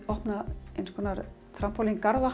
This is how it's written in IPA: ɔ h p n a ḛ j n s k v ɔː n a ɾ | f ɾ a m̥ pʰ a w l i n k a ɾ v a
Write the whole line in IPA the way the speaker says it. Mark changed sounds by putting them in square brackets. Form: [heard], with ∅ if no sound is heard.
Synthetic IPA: ɔ h p n a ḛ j n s k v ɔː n a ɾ | [θ] ɾ a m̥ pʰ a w l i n k a ɾ [ð] a